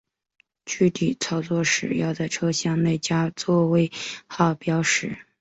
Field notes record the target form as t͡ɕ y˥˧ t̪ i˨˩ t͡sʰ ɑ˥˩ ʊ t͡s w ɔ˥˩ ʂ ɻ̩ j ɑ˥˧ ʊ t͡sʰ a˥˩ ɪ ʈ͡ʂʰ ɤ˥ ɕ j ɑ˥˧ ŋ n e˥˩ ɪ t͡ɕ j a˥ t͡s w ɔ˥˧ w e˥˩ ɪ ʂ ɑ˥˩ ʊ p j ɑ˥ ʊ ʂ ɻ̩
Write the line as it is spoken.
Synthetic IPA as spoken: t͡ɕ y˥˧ t̪ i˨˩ t͡sʰ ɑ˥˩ ʊ t͡s w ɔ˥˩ ʂ ɻ̩ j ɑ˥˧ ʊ t͡s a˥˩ ɪ ʈ͡ʂʰ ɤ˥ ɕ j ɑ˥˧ ŋ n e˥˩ ɪ t͡ɕ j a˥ t͡s w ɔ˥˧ w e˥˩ ɪ x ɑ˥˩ ʊ p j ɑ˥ ʊ ʂ ɻ̩